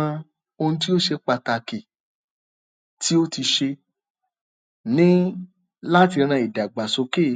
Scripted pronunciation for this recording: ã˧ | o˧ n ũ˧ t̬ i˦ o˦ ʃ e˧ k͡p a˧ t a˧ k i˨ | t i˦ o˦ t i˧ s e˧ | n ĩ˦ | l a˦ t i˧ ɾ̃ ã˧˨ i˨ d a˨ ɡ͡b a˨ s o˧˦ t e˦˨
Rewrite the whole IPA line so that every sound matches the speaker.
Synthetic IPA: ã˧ | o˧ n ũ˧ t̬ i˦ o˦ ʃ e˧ k͡p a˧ t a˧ k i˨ | t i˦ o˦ t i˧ ʃ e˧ | n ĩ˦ | l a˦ t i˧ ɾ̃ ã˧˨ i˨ d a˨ ɡ͡b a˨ s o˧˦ k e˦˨